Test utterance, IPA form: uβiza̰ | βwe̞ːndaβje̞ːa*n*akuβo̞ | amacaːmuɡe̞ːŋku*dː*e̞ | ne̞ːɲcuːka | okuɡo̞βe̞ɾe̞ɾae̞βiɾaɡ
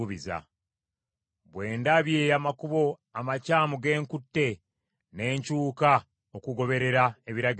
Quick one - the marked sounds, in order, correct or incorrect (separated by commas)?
incorrect, incorrect